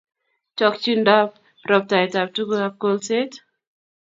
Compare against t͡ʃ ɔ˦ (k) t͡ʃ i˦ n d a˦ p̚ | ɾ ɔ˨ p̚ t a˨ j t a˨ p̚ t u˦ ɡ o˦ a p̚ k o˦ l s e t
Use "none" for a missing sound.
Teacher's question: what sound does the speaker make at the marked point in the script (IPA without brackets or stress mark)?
k